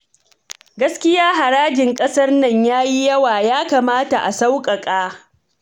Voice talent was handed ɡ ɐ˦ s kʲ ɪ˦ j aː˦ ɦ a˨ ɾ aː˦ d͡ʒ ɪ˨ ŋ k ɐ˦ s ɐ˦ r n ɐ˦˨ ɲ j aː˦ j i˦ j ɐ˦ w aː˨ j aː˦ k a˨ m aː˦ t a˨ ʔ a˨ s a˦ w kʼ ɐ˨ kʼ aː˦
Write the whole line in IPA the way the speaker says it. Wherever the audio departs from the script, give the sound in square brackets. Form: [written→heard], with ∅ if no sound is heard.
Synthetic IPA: ɡ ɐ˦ s kʲ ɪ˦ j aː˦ ɦ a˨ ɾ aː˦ d͡ʒ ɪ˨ ŋ [k→kʼ] ɐ˦ s ɐ˦ r n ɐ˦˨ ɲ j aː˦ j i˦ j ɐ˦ w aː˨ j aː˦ k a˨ m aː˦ t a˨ ʔ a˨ s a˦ w kʼ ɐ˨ kʼ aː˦